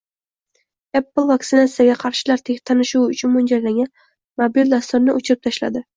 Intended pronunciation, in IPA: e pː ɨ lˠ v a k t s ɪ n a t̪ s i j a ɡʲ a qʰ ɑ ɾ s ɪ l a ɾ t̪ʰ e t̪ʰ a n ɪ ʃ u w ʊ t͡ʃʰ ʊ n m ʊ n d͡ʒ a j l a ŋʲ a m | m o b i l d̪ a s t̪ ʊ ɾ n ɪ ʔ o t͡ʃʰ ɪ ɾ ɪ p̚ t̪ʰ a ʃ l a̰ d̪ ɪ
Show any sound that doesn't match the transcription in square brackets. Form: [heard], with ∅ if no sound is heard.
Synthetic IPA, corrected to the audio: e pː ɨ lˠ v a k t s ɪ n a t̪ s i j a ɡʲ a qʰ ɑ ɾ [ʃ] ɪ l a ɾ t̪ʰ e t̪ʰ a n ɪ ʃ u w ʊ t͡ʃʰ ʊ n m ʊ n d͡ʒ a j l a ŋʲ a [n] | m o b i l d̪ a s t̪ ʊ ɾ n ɪ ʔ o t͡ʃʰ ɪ ɾ ɪ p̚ t̪ʰ a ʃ l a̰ d̪ ɪ